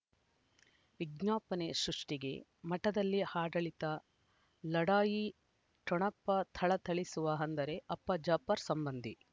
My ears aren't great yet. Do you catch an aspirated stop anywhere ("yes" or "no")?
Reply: yes